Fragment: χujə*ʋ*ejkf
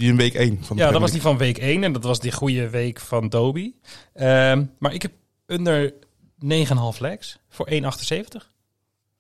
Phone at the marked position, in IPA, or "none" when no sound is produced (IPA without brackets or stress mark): ʋ